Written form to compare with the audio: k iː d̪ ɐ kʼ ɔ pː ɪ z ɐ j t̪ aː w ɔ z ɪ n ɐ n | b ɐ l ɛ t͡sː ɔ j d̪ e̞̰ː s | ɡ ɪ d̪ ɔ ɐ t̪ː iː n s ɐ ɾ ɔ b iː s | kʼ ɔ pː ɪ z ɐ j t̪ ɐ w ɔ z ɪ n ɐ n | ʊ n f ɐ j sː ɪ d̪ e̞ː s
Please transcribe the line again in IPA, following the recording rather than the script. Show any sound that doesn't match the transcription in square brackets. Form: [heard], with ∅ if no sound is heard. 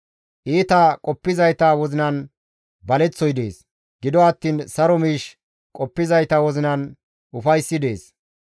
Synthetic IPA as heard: [ʔ] iː [t̪] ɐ kʼ ɔ pː ɪ z ɐ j t̪ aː w ɔ z ɪ n ɐ n | b ɐ l ɛ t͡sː ɔ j d̪ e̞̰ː s | ɡ ɪ d̪ ɔ ɐ t̪ː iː n s ɐ ɾ ɔ [m] iː [ʃ] | kʼ ɔ pː ɪ z ɐ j t̪ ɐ w ɔ z ɪ n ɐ n | ʊ [∅] f ɐ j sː ɪ d̪ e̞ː s